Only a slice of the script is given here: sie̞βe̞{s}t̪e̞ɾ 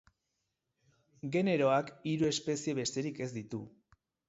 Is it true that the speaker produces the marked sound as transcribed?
yes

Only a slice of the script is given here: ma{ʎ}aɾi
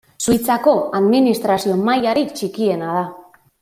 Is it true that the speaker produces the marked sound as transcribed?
no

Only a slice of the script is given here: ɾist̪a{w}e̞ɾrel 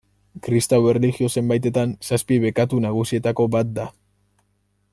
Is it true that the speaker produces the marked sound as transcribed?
yes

